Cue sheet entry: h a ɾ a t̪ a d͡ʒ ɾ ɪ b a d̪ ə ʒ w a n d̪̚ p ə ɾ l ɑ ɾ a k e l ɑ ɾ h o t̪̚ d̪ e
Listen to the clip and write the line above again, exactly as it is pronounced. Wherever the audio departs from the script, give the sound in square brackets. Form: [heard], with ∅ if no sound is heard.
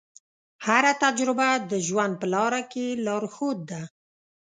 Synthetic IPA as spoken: h a ɾ a t̪ a d͡ʒ ɾ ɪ b a d̪ ə ʒ w a n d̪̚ p ə [∅] l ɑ ɾ a k e l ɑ ɾ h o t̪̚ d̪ [a]